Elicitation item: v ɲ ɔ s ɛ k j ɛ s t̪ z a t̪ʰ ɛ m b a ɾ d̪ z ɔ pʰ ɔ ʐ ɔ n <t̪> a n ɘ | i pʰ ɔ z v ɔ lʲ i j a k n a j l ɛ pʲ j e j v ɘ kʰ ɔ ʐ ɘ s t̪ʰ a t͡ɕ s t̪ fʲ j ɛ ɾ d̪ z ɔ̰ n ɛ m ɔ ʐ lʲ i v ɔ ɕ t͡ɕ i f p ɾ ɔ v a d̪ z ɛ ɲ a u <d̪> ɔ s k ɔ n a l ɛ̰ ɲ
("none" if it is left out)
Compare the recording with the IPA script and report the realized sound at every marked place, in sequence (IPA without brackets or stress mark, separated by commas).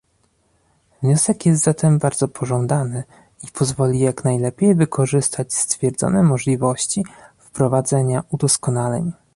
d̪, d̪